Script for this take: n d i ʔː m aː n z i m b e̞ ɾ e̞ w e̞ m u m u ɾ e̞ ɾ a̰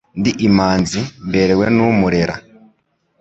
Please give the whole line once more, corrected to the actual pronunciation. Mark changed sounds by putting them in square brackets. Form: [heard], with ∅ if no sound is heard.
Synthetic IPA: n d i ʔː m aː n z i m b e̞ ɾ e̞ w e̞ [n] u m u ɾ e̞ ɾ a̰